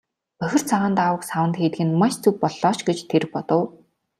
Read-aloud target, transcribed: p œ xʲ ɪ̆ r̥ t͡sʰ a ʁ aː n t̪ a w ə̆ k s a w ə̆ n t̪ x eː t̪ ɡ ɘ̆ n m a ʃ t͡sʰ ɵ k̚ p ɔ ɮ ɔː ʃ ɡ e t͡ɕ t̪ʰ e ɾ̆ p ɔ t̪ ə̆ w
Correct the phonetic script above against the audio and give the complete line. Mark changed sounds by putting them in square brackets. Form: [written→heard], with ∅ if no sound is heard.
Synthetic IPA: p œ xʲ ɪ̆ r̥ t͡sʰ a ʁ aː n t̪ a w ə̆ k s a w ə̆ n t̪ x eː t̪ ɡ ɘ̆ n m a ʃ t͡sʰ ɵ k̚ p ɔ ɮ ɔː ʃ ɡ e t͡ɕ t̪ʰ e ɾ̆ p ɔ t̪ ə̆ w